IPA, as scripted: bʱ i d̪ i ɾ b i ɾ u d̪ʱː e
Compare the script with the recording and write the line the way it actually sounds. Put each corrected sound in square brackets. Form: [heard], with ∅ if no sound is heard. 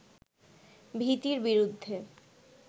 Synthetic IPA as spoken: bʱ i [t̪] i ɾ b i ɾ u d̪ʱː e